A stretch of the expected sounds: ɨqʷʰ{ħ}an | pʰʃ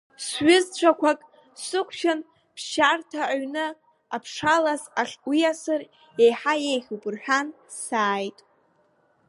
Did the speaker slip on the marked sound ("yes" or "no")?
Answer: yes